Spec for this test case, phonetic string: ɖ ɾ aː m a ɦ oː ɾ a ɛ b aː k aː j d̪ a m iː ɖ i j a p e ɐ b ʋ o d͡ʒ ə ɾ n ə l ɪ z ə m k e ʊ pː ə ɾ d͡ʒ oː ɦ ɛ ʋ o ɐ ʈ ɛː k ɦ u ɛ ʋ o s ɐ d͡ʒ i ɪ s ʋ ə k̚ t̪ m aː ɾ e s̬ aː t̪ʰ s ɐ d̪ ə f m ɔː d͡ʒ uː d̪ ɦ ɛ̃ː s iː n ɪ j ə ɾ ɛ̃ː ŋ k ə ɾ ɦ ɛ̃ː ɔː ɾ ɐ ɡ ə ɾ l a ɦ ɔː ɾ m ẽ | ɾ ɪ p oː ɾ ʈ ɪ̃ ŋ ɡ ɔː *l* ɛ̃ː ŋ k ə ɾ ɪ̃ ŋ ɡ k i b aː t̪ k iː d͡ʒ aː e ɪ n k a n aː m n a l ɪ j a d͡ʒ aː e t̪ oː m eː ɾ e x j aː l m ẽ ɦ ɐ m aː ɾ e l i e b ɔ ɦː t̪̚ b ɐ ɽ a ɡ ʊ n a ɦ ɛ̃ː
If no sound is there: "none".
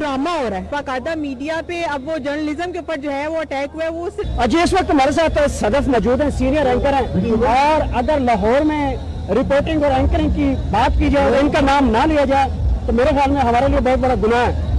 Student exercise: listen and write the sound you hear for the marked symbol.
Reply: ɾ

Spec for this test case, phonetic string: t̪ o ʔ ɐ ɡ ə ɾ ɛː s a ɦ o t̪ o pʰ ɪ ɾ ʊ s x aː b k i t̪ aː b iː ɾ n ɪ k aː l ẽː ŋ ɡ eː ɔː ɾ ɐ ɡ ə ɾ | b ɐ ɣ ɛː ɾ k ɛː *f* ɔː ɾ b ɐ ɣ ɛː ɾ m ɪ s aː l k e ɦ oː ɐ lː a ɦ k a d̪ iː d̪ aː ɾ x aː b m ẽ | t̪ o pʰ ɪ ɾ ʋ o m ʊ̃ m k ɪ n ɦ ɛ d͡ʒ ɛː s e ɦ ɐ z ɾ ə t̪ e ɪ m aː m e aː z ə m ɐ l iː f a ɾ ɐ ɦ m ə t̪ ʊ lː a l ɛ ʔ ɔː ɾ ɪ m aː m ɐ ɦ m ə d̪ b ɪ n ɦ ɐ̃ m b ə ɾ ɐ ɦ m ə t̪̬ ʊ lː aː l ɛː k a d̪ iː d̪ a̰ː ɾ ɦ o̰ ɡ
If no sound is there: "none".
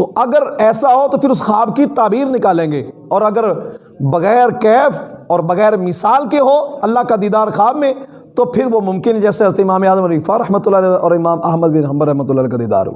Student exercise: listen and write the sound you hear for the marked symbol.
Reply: f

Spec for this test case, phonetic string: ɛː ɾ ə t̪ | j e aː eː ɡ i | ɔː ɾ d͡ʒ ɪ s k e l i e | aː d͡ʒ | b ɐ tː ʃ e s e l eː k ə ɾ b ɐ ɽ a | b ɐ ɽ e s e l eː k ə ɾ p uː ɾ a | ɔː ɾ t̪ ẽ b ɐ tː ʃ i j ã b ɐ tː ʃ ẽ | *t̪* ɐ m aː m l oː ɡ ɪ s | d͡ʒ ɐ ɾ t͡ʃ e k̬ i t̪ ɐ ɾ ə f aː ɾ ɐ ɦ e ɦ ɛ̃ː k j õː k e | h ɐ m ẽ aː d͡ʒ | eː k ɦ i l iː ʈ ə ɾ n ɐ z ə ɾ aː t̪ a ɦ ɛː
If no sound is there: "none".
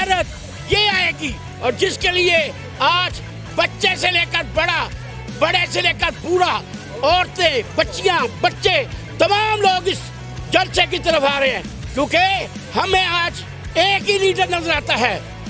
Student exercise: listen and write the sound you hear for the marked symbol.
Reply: t̪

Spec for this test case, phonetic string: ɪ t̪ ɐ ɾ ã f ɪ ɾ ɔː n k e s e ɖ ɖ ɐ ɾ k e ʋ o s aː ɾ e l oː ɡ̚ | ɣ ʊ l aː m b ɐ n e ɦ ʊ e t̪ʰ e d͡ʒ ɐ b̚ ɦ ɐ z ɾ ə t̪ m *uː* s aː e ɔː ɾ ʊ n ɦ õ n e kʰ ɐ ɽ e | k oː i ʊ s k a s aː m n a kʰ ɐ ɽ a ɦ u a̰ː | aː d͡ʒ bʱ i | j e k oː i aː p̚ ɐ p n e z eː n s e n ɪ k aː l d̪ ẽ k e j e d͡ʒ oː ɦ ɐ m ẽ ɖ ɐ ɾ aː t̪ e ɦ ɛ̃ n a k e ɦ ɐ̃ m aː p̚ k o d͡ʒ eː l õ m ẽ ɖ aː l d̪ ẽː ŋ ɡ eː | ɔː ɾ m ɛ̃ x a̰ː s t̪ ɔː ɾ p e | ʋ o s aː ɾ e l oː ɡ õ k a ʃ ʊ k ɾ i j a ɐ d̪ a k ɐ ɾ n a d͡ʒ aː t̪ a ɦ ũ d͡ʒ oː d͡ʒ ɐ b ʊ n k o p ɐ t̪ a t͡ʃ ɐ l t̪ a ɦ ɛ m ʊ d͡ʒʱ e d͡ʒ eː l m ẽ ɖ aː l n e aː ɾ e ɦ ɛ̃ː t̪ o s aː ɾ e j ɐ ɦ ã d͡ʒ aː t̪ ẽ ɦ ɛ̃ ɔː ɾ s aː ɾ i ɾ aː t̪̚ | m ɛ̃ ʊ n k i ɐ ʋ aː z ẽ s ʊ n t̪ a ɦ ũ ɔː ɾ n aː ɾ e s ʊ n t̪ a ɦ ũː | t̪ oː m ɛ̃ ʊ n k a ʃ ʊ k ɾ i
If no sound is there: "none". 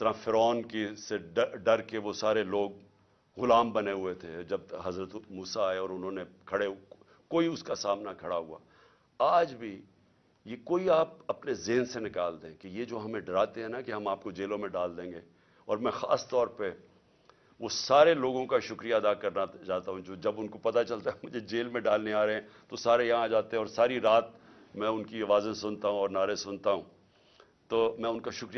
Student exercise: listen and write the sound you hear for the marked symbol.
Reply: uː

